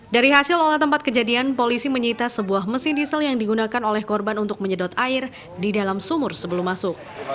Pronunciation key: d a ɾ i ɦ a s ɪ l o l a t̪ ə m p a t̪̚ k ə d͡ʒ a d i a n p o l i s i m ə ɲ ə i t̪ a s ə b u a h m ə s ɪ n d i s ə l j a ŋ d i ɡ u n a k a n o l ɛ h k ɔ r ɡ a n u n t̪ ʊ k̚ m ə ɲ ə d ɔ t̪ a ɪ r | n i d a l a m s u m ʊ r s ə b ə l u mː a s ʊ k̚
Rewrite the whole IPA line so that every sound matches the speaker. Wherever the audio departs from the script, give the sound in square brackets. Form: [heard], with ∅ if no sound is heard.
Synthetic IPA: d a ɾ i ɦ a s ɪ l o l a t̪ ə m p a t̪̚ k ə d͡ʒ a d i a n p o l i s i m ə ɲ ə i t̪ a s ə b u a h m ə s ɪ n d i s ə l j a ŋ d i ɡ u n a k a n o l ɛ h k ɔ r [b] a n u n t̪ ʊ k̚ m ə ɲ ə d ɔ t̪ a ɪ r | [d] i d a l a m s u m ʊ r s ə b ə l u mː a s ʊ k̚